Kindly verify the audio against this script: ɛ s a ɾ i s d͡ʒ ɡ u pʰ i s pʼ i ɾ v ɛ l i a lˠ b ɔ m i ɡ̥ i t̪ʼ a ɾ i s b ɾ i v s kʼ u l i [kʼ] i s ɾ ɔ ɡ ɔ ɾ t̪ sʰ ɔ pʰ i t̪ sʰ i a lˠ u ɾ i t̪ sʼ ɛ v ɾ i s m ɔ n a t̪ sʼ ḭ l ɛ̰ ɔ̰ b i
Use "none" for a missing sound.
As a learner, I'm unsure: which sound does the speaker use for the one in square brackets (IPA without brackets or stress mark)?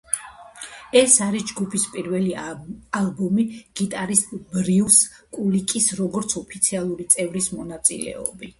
kʼ